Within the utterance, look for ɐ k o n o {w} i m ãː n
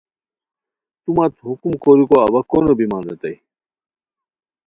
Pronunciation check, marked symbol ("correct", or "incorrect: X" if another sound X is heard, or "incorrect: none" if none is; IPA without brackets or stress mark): incorrect: b